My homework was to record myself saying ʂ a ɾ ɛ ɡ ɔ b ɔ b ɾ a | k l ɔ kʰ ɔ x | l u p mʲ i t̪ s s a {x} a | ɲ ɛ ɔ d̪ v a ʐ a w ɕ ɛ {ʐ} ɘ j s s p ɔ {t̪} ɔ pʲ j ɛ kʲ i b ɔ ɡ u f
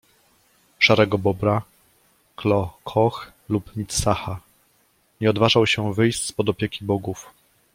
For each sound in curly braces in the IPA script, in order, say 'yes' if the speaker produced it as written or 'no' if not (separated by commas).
yes, no, no